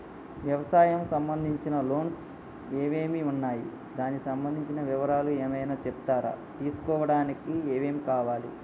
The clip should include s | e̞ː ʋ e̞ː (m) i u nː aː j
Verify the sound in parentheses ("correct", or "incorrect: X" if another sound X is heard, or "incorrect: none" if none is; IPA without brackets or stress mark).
correct